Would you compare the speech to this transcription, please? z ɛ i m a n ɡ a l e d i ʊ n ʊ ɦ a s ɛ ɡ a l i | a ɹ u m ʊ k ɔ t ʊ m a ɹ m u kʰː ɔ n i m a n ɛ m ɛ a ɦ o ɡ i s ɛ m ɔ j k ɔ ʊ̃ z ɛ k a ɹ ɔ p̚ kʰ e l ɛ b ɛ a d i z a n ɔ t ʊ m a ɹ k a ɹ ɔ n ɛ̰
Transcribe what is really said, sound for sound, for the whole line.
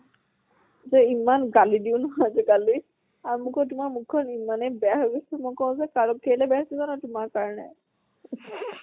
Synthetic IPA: z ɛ i m a n ɡ a l i d i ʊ n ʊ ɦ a z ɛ ɡ a l i | a ɹ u m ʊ k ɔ t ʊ m a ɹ m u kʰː ɔ n i m a n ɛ b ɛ a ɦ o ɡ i s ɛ m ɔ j k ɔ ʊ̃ z ɛ k a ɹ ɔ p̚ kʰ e l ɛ b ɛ a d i z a n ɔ t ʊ m a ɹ k a ɹ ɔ n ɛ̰